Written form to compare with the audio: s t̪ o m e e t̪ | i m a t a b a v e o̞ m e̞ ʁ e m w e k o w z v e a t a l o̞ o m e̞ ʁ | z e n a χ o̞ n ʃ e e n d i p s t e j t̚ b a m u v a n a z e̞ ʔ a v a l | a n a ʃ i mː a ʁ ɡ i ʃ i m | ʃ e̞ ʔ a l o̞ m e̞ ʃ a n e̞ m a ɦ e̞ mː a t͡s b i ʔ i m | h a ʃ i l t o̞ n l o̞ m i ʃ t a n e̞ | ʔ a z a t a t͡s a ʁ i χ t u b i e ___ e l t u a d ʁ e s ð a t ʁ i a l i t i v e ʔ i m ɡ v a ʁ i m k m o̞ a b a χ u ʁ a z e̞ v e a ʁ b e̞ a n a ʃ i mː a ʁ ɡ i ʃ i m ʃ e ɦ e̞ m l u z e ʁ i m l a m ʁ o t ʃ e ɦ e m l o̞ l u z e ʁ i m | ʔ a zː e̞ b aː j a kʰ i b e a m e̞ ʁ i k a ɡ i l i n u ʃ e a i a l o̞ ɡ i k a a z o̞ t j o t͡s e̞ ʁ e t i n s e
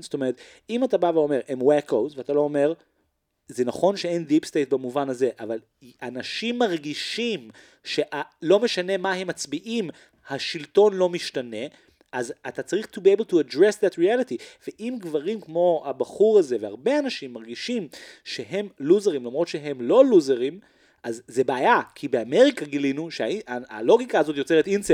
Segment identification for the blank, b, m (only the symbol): b